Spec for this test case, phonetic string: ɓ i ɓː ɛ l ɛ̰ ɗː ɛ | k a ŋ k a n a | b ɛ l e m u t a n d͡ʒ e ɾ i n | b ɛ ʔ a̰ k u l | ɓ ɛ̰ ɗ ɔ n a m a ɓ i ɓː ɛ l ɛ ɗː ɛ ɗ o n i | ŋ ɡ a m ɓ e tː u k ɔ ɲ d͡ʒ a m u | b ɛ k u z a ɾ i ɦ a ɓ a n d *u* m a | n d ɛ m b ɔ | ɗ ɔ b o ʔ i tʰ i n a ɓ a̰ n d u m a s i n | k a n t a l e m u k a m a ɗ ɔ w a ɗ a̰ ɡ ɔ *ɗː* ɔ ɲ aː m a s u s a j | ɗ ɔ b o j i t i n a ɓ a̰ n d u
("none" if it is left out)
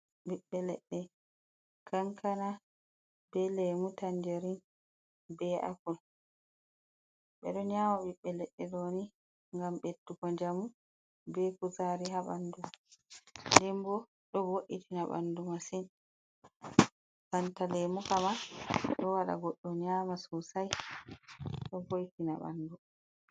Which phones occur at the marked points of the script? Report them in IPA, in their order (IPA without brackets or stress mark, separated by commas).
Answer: u, ɗː